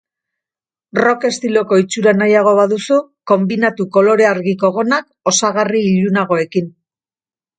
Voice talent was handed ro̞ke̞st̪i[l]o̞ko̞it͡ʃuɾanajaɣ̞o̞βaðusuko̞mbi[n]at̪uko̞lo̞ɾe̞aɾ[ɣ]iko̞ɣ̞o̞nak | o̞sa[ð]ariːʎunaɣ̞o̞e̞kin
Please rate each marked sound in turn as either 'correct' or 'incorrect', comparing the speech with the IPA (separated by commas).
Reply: correct, correct, correct, incorrect